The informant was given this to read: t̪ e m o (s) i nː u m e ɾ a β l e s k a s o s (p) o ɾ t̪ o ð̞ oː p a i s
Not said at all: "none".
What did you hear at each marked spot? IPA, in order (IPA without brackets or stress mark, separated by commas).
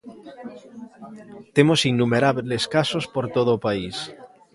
s, p